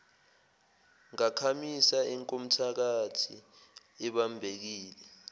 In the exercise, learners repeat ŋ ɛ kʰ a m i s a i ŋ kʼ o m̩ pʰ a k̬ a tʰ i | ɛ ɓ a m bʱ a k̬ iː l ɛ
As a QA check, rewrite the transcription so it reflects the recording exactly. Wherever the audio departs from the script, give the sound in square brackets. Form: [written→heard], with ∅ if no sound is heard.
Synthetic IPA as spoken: ŋ [ɛ→a] kʰ a m i s a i ŋ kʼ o m̩ [pʰ→tʰ] a k̬ a tʰ i | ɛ ɓ a m bʱ [a→e] k̬ iː l ɛ